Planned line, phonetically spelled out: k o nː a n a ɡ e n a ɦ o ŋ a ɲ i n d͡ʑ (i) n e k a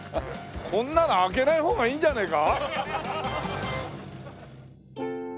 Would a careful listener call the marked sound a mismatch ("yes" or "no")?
yes